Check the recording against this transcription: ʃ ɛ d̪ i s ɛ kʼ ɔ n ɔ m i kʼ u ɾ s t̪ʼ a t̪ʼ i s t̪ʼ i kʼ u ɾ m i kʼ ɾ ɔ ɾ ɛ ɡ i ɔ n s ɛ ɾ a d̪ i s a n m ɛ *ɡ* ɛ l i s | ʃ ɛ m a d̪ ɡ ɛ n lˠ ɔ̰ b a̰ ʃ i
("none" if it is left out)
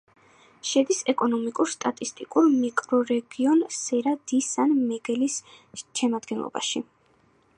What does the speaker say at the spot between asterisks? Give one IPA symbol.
ɡ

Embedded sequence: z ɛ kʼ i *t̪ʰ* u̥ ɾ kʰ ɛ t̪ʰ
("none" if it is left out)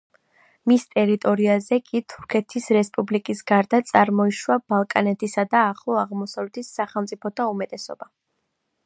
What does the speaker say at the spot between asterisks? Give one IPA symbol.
t̪ʰ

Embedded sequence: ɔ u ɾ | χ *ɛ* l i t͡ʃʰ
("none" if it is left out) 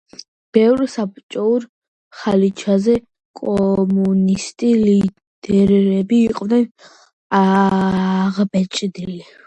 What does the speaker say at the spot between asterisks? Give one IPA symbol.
a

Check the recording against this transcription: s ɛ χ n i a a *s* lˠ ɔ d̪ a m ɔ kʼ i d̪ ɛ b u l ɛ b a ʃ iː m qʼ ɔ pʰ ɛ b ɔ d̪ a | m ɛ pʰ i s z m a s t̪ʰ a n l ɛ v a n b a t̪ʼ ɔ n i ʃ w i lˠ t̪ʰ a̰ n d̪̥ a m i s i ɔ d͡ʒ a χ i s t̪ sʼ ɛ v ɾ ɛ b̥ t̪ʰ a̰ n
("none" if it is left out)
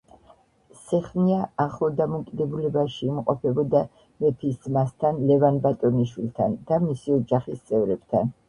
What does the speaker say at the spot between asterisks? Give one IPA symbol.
χ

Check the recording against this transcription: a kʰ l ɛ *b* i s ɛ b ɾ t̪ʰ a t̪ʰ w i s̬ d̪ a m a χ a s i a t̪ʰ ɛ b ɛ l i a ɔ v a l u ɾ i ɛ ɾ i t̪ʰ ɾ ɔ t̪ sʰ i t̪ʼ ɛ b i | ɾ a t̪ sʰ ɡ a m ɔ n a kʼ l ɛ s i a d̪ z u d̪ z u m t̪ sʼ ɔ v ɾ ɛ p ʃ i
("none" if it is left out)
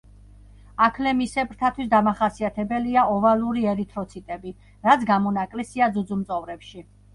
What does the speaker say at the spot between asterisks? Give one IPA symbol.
m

